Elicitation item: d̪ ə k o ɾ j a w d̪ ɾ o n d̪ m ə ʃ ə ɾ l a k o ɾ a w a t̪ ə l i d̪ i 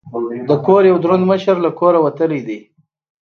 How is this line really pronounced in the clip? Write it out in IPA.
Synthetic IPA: d̪ ə k o ɾ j a w d̪ ɾ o n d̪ m ə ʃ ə ɾ l a k o ɾ a w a t̪ ə l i d̪ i

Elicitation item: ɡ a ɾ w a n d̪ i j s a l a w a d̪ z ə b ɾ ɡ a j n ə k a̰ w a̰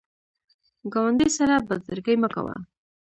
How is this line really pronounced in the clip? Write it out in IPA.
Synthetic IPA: ɡ a w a n d̪ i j s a ɾ a b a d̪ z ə ɾ ɡ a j m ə k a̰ w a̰

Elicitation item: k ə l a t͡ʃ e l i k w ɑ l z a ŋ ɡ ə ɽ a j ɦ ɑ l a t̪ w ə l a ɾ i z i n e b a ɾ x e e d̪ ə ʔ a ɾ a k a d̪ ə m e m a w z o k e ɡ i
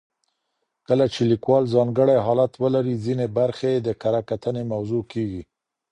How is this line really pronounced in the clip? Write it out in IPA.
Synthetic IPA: k ə l a t͡ʃ e l i k w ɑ l z ɑ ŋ ɡ ə ɽ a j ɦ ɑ l a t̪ w ə l a ɾ i z i n e b a ɾ x e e d̪ ə k a ɾ a k a t̪ ə n e m a w z o k e ɡ i

